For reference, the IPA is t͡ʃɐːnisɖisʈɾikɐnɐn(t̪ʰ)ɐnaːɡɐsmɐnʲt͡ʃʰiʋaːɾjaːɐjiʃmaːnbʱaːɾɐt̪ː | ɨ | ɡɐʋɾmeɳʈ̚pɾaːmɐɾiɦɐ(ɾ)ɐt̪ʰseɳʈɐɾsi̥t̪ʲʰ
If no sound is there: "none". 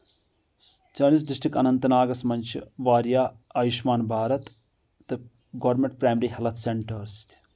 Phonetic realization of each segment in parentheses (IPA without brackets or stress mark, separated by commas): t̪, l